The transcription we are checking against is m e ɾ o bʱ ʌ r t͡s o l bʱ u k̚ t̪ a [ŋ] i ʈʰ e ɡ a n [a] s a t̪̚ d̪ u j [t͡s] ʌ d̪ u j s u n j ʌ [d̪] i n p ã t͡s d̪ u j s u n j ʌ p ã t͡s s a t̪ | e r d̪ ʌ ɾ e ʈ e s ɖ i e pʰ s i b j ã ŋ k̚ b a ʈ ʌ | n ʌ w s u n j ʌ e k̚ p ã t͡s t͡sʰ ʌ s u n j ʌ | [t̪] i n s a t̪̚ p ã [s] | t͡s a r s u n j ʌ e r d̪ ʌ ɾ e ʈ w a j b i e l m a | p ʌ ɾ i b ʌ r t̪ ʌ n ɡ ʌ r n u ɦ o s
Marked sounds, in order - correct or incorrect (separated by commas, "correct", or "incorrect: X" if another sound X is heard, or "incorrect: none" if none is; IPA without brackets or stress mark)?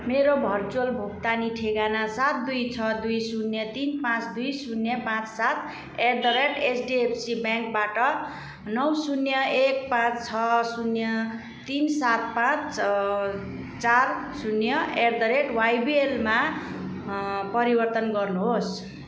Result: incorrect: n, correct, incorrect: t͡sʰ, incorrect: t̪, correct, incorrect: t͡s